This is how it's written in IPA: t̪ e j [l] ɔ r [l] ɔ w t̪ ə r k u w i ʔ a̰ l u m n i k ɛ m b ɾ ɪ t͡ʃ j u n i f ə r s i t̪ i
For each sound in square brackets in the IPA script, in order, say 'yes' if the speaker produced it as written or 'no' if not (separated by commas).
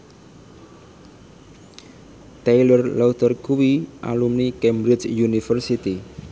yes, yes